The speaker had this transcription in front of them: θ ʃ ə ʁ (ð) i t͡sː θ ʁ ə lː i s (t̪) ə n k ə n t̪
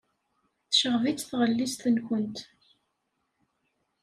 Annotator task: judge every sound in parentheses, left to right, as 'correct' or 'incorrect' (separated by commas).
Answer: incorrect, correct